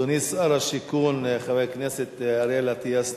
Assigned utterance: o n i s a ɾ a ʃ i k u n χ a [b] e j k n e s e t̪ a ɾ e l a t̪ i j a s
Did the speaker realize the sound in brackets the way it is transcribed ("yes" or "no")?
no